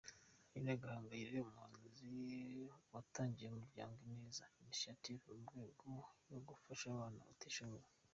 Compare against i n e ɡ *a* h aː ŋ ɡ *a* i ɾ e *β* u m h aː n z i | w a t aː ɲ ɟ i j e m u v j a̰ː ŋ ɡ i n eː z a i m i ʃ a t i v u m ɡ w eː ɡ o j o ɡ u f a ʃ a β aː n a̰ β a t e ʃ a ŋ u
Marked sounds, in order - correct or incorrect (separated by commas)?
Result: correct, correct, incorrect